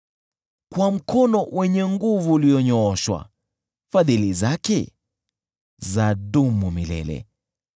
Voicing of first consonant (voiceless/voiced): voiceless